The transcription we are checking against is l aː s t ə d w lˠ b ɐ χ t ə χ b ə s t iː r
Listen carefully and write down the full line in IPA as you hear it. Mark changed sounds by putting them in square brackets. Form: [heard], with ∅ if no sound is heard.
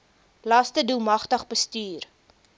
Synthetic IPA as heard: l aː s t ə d [u] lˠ [m] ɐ χ t ə χ b ə s t [yː] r